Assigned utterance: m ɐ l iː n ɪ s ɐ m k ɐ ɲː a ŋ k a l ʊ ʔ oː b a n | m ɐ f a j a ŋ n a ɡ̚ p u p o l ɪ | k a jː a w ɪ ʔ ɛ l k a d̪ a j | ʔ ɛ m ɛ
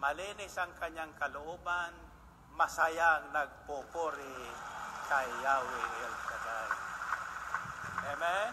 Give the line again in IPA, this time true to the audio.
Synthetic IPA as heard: m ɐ l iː n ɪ s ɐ ŋ k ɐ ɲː a ŋ k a l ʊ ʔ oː b a n | m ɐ s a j a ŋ n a ɡ̚ p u p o ɾ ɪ | k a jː a w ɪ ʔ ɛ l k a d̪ a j | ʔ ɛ m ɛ